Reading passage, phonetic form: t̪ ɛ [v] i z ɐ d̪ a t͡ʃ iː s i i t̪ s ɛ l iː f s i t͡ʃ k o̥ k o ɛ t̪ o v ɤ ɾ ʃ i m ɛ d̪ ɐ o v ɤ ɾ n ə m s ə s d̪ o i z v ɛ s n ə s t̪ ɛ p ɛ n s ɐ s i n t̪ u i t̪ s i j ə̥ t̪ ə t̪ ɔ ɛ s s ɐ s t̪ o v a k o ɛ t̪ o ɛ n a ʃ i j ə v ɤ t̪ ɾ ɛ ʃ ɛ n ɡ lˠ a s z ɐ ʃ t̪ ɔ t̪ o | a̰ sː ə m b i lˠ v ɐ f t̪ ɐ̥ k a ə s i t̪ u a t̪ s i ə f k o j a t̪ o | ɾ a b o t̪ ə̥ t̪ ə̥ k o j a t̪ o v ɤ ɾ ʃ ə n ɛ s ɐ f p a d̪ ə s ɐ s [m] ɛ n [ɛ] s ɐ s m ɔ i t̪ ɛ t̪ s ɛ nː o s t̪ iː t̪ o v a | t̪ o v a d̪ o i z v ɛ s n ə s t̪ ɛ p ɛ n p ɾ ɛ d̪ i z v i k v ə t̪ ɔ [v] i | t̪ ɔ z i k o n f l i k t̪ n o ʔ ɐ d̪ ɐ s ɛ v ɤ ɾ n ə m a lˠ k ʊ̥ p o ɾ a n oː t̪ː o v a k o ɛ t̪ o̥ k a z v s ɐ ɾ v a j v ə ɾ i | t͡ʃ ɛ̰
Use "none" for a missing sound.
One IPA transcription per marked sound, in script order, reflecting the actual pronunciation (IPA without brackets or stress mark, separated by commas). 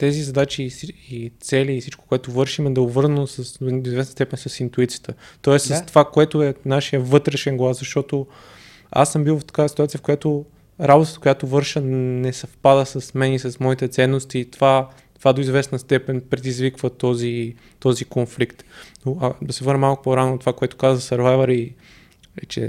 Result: z, m, i, z